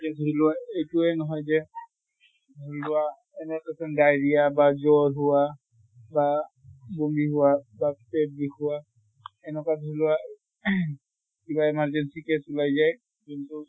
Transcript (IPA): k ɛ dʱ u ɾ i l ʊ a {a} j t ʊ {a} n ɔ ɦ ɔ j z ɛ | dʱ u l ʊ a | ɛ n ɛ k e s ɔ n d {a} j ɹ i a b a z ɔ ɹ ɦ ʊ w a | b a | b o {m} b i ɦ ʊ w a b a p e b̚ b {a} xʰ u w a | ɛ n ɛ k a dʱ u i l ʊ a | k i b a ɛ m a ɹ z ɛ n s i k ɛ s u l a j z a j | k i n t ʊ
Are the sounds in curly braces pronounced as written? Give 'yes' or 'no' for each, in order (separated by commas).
no, no, yes, yes, no